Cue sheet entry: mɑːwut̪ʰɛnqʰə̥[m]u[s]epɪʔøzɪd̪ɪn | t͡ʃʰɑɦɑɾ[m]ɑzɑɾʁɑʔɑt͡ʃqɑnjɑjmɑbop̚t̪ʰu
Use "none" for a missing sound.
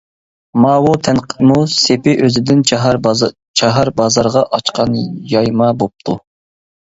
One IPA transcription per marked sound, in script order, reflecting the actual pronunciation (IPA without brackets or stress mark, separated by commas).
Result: m, s, b